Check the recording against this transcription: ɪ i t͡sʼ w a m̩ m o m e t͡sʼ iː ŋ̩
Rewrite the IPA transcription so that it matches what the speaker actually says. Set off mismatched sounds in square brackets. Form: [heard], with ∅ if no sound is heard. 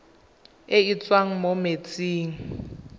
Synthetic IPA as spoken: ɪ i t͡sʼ w a [ŋ̩] m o m e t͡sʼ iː ŋ̩